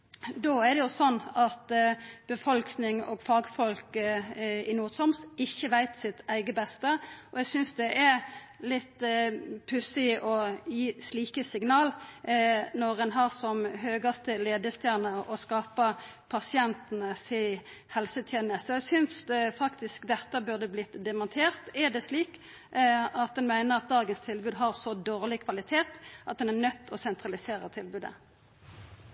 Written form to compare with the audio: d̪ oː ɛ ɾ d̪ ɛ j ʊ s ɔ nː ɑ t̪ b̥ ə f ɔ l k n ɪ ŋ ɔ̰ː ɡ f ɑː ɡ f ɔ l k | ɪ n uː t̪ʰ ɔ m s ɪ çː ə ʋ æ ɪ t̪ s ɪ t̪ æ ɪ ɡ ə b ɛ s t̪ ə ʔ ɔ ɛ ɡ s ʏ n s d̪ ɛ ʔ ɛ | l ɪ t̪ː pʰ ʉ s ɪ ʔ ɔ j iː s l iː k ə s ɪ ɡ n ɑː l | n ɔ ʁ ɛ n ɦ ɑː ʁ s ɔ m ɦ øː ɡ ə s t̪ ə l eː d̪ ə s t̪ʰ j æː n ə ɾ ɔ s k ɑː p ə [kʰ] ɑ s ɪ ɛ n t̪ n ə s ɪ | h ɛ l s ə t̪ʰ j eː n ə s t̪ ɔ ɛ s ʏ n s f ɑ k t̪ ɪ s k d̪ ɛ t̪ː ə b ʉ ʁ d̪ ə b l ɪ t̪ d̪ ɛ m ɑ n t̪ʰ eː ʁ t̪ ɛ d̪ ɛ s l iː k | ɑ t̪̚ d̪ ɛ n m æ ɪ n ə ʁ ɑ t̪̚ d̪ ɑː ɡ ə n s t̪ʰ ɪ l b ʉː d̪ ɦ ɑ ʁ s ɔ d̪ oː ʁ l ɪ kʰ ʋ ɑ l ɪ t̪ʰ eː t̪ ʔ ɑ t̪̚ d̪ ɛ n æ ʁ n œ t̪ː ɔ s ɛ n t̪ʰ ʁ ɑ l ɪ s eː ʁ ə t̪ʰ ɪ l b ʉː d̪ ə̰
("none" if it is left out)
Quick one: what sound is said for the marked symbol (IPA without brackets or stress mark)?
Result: pʰ